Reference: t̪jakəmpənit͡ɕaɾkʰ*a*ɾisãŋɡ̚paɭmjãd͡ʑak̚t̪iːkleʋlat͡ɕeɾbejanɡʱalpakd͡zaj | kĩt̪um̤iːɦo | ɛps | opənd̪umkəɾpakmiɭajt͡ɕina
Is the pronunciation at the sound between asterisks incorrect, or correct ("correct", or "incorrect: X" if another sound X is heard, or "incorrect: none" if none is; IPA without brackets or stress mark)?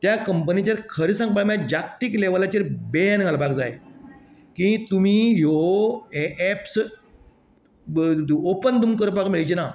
incorrect: ə